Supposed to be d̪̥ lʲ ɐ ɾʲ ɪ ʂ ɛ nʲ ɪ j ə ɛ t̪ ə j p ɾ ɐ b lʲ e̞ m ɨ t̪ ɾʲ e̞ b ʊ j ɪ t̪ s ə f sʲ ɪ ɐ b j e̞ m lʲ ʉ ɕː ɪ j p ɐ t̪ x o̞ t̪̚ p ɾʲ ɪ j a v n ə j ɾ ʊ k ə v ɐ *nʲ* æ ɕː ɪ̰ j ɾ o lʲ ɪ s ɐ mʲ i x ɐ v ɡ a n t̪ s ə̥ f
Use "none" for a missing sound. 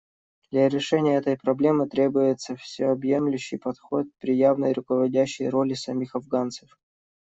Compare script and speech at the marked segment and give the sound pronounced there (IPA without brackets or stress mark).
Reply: dʲ